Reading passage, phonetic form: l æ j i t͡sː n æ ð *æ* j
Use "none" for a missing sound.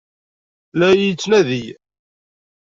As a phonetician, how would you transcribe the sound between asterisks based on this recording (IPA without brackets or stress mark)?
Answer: i